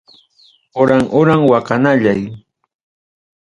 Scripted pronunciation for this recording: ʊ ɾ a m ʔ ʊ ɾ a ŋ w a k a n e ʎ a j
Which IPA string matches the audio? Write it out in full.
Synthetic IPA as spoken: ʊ ɾ a ŋ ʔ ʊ ɾ a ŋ w a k a n a ʎ a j